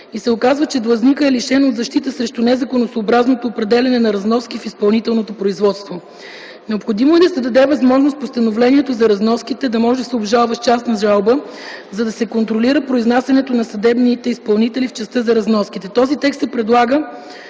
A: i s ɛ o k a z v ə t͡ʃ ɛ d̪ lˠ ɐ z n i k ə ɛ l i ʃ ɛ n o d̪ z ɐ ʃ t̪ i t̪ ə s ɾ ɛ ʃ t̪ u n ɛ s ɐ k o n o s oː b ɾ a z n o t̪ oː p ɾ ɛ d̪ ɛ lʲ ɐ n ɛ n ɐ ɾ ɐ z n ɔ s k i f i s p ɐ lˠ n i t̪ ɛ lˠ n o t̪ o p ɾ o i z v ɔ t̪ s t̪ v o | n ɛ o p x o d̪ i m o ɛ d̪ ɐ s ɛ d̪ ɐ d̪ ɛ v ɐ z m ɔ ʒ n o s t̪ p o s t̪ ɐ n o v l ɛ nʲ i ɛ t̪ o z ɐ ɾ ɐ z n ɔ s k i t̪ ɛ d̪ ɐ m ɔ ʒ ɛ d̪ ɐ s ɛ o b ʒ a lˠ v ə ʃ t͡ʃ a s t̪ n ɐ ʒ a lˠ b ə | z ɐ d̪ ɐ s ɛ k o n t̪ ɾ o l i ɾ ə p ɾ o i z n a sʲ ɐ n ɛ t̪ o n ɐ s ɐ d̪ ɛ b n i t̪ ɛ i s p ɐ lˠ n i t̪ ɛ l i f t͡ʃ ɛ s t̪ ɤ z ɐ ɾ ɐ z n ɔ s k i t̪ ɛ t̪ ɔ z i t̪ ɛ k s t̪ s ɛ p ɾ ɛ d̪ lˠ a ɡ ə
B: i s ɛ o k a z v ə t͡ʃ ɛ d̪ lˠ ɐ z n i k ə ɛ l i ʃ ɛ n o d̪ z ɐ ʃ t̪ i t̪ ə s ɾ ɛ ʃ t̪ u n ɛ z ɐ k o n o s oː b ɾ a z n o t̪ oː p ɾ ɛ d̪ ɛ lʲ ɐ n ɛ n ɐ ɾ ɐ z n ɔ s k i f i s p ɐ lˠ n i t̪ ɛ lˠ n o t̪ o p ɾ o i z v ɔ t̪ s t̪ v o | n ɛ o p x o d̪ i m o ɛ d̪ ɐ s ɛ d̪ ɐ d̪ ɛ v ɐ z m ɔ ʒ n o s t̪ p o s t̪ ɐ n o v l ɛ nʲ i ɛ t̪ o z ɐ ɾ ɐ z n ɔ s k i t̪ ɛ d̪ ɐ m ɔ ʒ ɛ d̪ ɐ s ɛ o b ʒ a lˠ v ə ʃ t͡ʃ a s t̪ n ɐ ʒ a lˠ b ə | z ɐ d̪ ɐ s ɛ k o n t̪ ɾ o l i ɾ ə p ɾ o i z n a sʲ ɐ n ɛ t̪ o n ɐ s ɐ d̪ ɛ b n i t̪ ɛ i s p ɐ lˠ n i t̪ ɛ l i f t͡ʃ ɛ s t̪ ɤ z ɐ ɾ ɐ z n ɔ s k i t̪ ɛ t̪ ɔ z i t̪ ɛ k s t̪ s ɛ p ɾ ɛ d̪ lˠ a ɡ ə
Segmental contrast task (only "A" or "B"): B